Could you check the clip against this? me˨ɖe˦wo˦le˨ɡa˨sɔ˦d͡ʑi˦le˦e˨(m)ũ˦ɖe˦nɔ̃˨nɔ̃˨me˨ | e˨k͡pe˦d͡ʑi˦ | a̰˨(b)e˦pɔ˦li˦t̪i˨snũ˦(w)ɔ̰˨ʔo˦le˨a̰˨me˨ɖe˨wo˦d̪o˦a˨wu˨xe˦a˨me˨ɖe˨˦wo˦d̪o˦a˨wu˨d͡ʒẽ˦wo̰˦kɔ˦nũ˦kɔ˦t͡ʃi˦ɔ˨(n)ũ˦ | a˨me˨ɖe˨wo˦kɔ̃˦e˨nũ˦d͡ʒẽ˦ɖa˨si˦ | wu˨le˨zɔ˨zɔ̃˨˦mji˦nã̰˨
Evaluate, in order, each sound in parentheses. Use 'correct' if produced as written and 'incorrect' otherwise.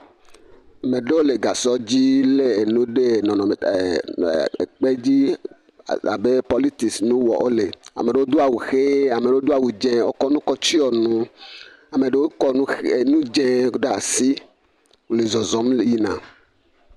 incorrect, correct, correct, correct

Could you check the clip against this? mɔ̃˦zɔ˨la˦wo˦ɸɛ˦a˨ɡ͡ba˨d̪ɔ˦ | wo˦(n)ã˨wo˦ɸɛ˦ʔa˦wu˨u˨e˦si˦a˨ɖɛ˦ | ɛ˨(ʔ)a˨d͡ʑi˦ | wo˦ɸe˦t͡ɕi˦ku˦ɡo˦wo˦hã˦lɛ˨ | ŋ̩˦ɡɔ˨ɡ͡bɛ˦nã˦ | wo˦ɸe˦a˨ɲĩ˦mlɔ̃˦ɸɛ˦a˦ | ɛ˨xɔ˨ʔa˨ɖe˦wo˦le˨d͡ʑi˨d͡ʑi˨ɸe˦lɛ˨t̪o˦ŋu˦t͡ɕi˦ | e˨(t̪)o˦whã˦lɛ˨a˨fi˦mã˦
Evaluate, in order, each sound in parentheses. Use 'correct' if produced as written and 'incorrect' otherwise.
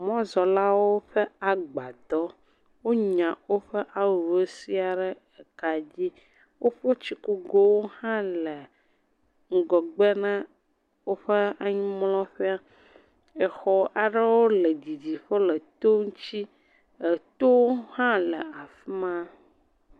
incorrect, incorrect, correct

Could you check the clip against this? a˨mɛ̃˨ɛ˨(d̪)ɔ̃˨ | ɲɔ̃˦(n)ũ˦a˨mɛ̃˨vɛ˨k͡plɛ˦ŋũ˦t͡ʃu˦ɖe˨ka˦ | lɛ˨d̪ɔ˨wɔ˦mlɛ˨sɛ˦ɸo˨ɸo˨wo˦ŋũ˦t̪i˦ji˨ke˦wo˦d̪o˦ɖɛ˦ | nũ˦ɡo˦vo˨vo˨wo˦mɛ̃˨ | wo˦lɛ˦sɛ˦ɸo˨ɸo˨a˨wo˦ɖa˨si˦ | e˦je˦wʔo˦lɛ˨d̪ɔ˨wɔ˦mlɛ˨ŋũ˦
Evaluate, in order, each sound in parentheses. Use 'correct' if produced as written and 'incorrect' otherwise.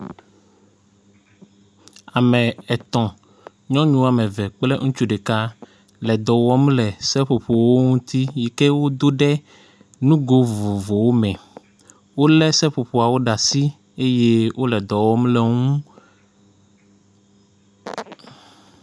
incorrect, incorrect

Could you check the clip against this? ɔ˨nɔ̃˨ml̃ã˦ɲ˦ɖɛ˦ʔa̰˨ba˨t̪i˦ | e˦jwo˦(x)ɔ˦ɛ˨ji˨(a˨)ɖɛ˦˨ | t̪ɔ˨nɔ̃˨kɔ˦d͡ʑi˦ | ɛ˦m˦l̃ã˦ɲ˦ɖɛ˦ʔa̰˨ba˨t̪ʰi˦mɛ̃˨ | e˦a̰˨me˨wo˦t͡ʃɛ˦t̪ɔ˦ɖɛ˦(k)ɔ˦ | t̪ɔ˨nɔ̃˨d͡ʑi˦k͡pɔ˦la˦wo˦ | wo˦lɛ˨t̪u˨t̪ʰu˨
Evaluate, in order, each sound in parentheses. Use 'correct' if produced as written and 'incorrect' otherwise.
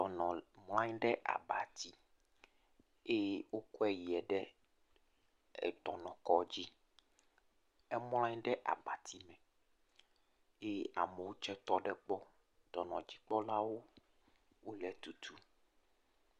incorrect, incorrect, incorrect

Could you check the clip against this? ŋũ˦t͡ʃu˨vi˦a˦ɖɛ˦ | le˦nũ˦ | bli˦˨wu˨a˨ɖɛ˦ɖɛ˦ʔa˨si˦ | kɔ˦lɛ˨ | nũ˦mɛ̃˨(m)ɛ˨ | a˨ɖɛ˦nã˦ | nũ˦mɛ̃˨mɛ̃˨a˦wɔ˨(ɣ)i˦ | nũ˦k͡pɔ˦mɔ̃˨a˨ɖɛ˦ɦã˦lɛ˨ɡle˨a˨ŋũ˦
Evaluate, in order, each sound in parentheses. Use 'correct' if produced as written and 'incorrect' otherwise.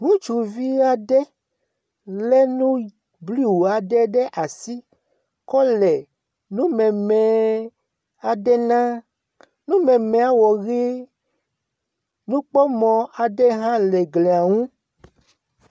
correct, correct

